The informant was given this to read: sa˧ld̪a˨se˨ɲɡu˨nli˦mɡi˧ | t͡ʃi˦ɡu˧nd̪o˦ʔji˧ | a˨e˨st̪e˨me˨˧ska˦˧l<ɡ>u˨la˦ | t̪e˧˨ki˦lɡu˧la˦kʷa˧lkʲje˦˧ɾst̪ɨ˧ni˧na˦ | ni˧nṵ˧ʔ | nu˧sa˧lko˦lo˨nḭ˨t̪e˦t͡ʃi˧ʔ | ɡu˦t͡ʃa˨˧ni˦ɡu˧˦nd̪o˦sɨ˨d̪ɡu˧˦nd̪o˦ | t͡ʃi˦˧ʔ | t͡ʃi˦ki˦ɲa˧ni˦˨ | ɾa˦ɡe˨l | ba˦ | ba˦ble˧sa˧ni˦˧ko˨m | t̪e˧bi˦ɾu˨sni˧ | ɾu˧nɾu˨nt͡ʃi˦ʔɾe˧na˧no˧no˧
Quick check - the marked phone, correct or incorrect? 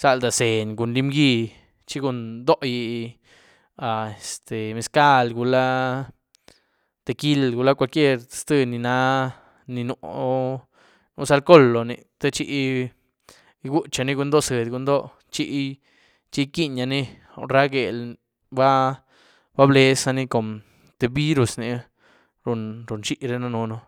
correct